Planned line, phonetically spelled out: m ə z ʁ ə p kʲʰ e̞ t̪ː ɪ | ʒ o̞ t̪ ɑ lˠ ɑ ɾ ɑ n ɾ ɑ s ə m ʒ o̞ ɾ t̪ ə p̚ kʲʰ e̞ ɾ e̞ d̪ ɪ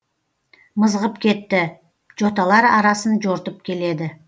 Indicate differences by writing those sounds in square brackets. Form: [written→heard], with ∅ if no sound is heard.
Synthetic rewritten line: m ə z ʁ ə p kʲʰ e̞ t̪ː ɪ | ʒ o̞ t̪ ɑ lˠ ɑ ɾ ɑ [n→∅] ɾ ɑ s ə [m→n] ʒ o̞ ɾ t̪ ə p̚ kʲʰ e̞ [ɾ→l] e̞ d̪ ɪ